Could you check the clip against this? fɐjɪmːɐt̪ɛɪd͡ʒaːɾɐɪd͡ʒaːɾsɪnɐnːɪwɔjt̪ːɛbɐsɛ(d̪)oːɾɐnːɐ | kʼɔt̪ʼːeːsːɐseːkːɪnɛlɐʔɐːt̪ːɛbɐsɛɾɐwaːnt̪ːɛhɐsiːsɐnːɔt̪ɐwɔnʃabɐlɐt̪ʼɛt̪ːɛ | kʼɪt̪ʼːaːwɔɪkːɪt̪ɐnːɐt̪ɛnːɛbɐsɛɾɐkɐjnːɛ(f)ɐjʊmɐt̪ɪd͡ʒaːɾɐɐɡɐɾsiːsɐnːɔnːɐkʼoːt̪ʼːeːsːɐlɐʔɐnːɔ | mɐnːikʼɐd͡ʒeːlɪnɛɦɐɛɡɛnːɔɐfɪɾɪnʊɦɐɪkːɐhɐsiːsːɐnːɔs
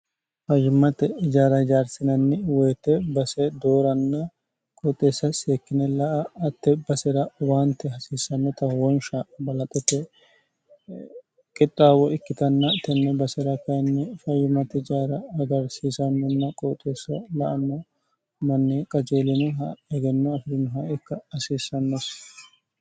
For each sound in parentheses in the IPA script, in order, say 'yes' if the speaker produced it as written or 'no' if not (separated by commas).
yes, yes